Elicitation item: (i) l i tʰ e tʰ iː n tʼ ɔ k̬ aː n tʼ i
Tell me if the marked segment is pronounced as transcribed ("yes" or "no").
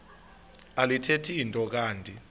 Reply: no